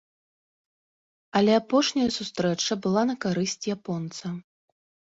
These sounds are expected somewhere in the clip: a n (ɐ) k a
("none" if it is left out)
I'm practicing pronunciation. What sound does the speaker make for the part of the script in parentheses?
ɐ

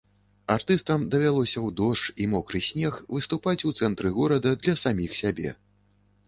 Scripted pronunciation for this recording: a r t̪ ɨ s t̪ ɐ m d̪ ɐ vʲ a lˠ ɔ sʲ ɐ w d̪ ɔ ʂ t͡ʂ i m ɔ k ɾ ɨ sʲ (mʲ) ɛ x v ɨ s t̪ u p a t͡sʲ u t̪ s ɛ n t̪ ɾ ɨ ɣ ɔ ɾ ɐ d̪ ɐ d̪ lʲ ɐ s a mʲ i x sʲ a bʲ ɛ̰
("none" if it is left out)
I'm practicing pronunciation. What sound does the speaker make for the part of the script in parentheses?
nʲ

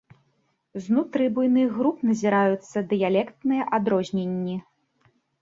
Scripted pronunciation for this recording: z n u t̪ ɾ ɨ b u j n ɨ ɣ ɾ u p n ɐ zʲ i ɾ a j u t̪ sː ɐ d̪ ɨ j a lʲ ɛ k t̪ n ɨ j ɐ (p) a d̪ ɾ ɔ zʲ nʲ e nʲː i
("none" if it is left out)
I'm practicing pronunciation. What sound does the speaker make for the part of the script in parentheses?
ʔ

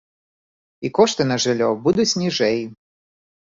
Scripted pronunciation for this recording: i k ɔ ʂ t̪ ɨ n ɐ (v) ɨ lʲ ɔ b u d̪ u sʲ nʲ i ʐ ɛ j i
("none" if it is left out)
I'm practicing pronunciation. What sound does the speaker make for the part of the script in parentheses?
ʐ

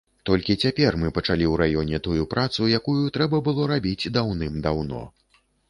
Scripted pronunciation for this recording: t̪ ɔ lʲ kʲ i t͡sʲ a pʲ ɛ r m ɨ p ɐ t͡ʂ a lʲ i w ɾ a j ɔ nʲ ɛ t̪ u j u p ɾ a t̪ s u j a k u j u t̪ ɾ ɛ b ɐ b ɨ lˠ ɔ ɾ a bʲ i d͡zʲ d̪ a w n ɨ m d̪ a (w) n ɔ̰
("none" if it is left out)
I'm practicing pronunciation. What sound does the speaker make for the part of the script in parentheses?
w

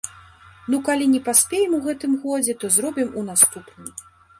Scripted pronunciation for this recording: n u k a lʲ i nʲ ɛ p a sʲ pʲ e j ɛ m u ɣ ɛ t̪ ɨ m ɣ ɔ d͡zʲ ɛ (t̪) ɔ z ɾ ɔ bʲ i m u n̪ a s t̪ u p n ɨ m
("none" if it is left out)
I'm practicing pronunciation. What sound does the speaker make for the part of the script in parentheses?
t̪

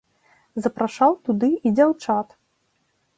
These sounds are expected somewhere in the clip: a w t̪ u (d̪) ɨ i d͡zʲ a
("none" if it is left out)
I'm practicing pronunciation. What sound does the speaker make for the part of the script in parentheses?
d̪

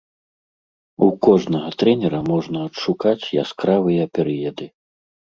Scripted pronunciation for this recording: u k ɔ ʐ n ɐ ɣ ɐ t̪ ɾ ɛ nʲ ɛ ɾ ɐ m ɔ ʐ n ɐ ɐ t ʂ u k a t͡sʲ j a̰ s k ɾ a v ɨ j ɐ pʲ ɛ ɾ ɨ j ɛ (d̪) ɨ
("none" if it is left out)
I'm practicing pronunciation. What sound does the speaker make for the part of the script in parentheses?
d̪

